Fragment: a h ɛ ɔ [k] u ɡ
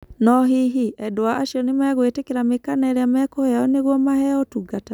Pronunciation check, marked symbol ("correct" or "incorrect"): incorrect